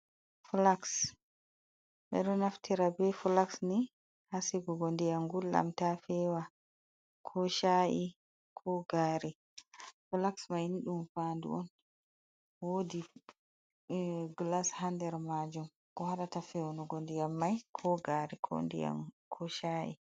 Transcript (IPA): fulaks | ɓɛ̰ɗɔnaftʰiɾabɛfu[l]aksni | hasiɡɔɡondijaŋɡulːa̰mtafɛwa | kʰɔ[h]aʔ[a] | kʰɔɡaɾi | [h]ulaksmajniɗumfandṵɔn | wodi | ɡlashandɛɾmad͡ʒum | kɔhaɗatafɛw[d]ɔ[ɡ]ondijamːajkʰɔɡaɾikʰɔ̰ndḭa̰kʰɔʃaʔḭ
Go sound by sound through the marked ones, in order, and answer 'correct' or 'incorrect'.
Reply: correct, incorrect, incorrect, incorrect, incorrect, correct

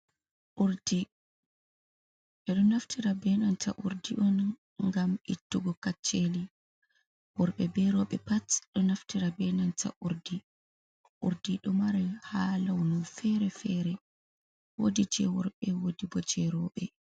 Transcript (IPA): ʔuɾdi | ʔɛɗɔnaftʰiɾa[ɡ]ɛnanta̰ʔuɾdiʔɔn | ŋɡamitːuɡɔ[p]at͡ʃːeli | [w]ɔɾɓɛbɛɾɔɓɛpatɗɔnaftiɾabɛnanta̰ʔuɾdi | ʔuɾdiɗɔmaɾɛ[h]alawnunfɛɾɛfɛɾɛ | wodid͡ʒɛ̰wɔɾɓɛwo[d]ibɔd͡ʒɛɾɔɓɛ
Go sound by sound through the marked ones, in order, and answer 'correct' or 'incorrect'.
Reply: incorrect, incorrect, correct, correct, correct

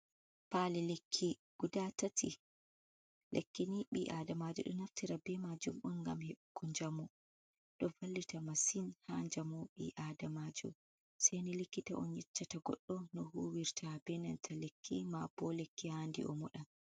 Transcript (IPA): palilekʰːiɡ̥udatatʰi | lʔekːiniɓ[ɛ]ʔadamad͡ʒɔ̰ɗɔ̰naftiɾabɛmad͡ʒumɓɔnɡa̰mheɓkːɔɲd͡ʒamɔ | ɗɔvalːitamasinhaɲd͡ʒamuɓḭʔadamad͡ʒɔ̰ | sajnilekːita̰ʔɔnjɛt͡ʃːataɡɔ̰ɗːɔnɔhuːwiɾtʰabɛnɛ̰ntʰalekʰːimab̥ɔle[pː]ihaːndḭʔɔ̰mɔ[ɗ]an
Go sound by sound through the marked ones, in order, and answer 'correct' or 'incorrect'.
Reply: incorrect, incorrect, correct

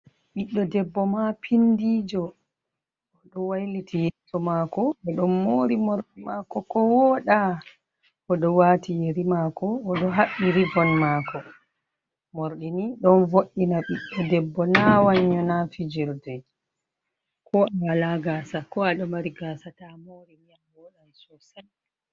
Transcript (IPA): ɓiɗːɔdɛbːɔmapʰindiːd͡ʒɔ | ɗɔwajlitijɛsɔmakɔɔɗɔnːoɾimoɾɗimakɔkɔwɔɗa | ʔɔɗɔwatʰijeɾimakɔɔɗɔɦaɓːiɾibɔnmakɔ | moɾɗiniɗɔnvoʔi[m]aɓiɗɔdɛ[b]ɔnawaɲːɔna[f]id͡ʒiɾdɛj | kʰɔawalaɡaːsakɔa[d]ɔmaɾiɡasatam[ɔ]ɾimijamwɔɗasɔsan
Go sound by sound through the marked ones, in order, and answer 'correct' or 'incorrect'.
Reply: incorrect, incorrect, correct, incorrect, incorrect

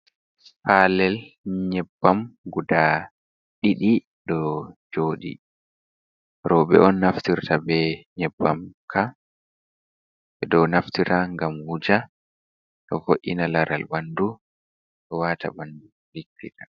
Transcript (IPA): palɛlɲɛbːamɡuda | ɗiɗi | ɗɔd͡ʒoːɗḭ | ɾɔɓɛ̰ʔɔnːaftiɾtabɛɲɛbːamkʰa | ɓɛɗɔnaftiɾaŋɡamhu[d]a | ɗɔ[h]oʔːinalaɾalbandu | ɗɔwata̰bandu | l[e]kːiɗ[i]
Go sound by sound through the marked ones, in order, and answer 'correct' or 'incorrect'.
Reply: incorrect, incorrect, incorrect, incorrect

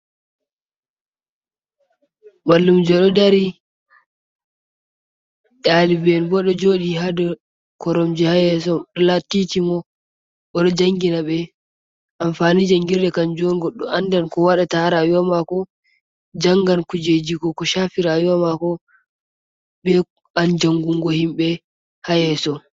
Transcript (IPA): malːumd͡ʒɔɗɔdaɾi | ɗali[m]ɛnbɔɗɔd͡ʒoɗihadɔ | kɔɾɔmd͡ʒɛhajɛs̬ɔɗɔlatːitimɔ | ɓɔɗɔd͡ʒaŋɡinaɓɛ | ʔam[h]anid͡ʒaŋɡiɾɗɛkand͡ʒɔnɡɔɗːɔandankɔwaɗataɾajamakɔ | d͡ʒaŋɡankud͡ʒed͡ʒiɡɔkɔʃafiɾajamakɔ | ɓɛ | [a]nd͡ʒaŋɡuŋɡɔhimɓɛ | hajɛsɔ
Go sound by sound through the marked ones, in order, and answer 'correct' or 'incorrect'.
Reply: incorrect, incorrect, correct

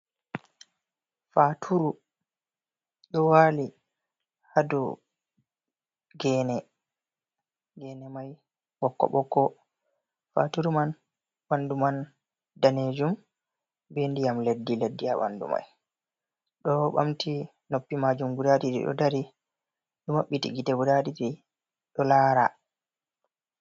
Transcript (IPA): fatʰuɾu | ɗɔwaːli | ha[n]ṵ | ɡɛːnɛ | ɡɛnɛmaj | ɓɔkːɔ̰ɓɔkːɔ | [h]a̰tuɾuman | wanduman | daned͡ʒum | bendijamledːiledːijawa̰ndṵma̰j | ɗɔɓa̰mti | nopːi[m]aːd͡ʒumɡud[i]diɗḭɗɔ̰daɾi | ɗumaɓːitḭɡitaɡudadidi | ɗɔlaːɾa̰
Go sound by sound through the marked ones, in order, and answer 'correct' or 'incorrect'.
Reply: incorrect, incorrect, correct, incorrect

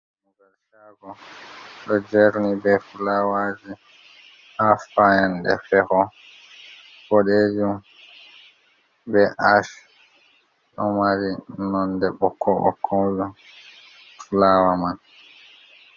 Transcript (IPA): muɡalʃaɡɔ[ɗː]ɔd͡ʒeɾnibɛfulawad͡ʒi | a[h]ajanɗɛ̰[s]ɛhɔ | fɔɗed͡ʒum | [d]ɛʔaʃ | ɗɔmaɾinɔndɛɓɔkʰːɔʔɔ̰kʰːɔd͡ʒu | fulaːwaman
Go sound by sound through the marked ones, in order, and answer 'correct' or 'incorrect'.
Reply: incorrect, incorrect, incorrect, incorrect

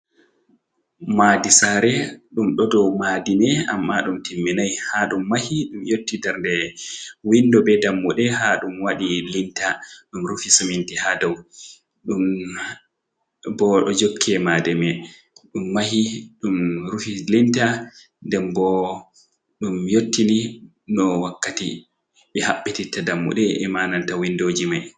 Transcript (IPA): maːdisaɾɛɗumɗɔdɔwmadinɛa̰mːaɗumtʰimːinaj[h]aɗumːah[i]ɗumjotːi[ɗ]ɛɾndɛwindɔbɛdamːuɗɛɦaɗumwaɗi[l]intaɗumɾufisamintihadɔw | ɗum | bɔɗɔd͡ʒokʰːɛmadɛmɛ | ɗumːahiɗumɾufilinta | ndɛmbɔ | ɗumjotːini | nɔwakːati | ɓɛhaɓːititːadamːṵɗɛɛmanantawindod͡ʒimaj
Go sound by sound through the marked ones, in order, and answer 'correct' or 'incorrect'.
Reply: correct, correct, incorrect, correct

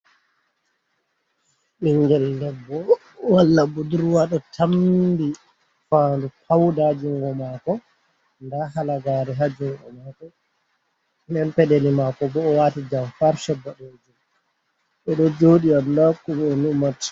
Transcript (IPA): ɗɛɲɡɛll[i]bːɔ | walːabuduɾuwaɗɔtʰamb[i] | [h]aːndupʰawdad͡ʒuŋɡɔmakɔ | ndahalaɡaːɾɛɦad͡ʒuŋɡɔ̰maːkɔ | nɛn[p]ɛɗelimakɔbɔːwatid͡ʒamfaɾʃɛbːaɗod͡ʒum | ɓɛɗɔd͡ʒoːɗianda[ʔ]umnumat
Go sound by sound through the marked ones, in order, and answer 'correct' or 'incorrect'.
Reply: incorrect, correct, incorrect, correct, incorrect

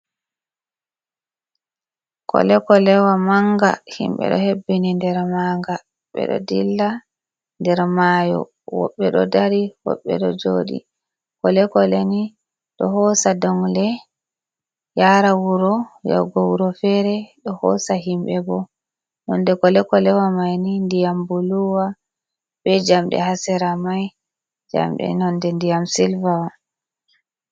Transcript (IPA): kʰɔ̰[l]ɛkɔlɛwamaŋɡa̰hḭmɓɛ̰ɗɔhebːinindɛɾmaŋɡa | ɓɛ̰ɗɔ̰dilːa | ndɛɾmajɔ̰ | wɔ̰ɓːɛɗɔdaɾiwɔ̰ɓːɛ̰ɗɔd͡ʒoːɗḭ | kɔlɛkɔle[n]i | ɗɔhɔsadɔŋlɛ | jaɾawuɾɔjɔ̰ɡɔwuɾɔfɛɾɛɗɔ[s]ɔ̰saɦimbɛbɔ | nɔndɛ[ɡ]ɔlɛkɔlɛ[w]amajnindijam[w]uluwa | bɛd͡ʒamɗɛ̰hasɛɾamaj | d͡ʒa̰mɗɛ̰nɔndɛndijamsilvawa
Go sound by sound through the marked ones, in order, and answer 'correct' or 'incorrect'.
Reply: correct, correct, incorrect, incorrect, correct, incorrect

